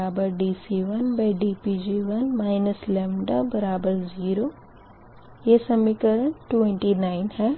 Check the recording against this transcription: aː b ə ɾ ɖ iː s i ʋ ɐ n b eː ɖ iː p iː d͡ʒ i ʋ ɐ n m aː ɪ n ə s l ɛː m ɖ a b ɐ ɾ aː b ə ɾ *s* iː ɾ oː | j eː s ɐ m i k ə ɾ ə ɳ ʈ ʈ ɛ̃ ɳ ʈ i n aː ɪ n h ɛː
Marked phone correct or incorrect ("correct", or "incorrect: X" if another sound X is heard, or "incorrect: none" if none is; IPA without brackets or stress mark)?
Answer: incorrect: z